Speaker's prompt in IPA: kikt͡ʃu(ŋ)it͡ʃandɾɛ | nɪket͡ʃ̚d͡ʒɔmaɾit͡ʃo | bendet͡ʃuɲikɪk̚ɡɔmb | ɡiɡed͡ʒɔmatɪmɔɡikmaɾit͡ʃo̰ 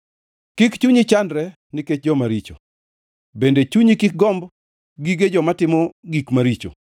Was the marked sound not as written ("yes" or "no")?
yes